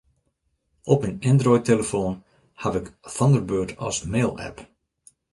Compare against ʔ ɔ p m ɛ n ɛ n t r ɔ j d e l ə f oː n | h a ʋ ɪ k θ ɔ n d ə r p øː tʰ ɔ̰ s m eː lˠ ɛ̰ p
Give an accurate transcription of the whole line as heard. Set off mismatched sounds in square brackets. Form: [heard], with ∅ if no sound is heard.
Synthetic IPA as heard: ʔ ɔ p m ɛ n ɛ n [d] r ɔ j [t] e l ə f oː n | h a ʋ ɪ k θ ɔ n d ə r [b] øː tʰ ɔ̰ s m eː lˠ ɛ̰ p

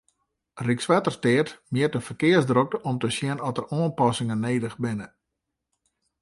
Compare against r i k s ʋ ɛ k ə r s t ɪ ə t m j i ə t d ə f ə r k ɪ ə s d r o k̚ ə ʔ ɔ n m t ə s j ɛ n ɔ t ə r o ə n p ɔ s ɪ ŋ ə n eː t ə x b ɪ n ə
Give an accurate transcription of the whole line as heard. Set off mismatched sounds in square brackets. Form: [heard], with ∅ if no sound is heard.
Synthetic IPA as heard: r i k s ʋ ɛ [t] ə r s t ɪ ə t m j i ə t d ə f ə r k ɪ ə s d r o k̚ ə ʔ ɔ [∅] m t ə s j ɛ n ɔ t ə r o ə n p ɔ s ɪ ŋ ə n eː [d] ə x b ɪ n ə

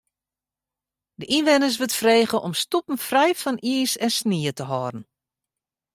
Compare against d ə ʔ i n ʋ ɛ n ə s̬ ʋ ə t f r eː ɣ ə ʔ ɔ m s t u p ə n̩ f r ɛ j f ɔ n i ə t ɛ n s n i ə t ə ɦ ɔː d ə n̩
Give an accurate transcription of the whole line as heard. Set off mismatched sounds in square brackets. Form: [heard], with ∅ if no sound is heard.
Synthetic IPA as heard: d ə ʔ i n ʋ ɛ n ə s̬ ʋ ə t f r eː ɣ ə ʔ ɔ m s t u p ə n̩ f r ɛ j f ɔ n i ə [s] ɛ n s n i ə t ə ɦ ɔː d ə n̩

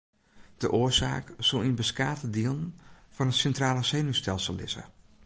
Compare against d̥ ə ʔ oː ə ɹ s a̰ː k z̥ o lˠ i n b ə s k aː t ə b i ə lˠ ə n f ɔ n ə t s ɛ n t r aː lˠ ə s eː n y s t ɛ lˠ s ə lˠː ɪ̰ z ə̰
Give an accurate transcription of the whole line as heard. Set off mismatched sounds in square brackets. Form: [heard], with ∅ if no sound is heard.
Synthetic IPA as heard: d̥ ə ʔ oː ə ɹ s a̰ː k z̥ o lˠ i n b ə s k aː t ə [d] i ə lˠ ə n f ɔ n ə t s ɛ n t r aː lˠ ə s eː n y s t ɛ lˠ s ə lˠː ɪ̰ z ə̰

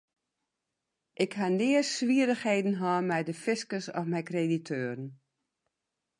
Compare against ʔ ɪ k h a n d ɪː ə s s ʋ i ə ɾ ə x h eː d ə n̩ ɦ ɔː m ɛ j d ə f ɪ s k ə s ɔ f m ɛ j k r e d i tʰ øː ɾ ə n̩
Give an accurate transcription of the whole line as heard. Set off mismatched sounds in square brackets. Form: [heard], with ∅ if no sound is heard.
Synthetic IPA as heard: ʔ ɪ k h a n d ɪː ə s s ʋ i ə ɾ ə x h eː d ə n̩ ɦ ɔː m ɛ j d ə f ɪ s k ə s ɔ f m ɛ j k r e d i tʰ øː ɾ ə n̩

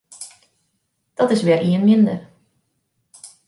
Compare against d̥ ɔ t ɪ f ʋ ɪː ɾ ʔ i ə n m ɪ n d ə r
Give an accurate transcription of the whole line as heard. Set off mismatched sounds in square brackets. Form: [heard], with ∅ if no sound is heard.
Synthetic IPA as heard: d̥ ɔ t ɪ [s] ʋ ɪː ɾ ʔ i ə n m ɪ n d ə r

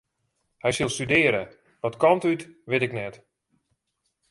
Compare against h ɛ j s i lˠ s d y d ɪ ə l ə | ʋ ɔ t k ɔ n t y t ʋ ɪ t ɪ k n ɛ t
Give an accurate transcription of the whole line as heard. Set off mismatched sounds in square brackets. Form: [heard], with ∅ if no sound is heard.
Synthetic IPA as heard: h ɛ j s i lˠ s [t] y d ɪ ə [ɾ] ə | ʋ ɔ t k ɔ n t y t ʋ ɪ t ɪ k n ɛ t

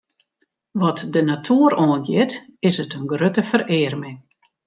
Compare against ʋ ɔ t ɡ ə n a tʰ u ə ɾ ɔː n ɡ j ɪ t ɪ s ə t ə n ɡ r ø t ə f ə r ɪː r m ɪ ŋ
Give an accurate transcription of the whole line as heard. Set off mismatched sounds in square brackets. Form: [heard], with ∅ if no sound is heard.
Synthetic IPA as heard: ʋ ɔ t [d] ə n a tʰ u ə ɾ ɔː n ɡ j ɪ t ɪ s ə t ə n ɡ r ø t ə f ə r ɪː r m ɪ ŋ

